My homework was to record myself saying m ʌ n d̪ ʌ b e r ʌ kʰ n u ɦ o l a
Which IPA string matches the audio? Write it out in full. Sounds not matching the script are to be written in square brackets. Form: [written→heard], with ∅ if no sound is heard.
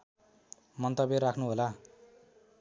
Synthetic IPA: m ʌ n [d̪→t̪] ʌ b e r [ʌ→a] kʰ n u ɦ o l a

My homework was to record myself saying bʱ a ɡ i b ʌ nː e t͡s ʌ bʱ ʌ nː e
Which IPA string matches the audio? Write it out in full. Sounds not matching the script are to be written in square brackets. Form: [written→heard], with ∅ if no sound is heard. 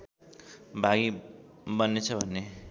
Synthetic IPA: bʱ a ɡ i b ʌ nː e [t͡s→t͡sʰ] ʌ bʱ ʌ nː e

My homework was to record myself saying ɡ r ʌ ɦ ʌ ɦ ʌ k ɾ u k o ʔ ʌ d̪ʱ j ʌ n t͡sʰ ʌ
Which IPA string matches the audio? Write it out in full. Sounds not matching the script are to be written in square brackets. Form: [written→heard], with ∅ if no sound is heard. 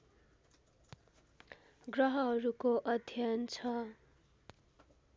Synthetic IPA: ɡ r ʌ ɦ ʌ ɦ ʌ [k→∅] ɾ u k o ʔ ʌ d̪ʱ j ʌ n t͡sʰ ʌ

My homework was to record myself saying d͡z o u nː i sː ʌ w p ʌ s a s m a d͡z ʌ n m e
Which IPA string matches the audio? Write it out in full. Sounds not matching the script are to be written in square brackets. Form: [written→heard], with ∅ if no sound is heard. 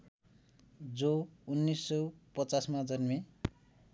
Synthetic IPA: d͡z o u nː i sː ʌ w p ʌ [s→t͡s] a s m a d͡z ʌ n m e

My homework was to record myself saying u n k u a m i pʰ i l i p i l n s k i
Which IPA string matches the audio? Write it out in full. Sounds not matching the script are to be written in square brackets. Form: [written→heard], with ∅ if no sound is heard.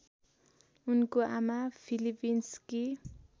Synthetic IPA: u n k [u→o] a m [i→a] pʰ i l i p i [l→∅] n s k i

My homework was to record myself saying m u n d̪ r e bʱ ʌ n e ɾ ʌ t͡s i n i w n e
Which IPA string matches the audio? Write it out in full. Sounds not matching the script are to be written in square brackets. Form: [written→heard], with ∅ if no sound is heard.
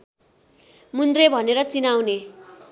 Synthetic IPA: m u n d̪ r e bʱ ʌ n e ɾ ʌ t͡s i n [i→a] w n e

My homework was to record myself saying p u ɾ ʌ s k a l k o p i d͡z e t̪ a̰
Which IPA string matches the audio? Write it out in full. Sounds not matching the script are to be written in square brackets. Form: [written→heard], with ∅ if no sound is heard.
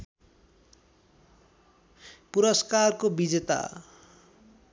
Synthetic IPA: p u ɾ ʌ s k a [l→r] k o [p→b] i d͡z e t̪ a̰

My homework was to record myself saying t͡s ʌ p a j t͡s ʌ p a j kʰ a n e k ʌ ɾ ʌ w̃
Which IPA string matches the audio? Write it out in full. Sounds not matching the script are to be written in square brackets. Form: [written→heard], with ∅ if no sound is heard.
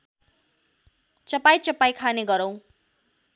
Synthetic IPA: t͡s ʌ p a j t͡s ʌ p a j kʰ a n e [k→ɡ] ʌ ɾ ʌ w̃

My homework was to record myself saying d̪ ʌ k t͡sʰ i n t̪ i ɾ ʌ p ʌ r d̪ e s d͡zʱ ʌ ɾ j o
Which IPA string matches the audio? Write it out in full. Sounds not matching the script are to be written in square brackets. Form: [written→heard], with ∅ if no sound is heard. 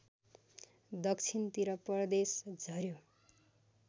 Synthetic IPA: d̪ ʌ k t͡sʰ i n t̪ i ɾ ʌ p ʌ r d̪ e s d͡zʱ ʌ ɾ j o

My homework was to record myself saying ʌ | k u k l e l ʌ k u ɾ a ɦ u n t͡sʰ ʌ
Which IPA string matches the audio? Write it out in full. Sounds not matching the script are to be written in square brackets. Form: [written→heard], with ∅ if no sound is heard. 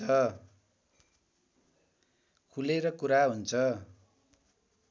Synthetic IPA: ʌ | [k→kʰ] u [k→∅] l e [l→ɾ] ʌ k u ɾ a ɦ u n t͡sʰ ʌ

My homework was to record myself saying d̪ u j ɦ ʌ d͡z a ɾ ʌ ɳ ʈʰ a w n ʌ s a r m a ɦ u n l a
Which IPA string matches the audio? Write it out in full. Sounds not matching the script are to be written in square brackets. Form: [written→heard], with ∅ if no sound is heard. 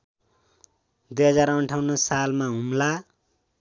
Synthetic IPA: d̪ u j ɦ ʌ d͡z a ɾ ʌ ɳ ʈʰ a w n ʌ s a [r→l] m a ɦ u [n→m] l a

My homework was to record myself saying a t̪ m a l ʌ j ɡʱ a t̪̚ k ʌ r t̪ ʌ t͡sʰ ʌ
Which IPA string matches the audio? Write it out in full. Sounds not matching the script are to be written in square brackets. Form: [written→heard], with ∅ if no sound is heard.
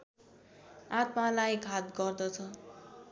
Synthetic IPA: a t̪ m a l [ʌ→a] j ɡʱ a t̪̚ [k→ɡ] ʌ r [t̪→d̪] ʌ t͡sʰ ʌ

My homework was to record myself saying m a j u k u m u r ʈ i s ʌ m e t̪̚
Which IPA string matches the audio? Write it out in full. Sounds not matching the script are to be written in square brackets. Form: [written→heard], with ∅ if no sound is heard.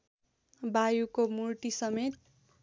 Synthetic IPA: [m→b] a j u k [u→o] m u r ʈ i s ʌ m e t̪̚

